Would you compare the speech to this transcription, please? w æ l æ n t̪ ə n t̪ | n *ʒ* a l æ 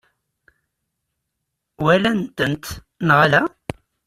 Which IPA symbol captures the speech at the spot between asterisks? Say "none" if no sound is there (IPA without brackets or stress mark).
ʁ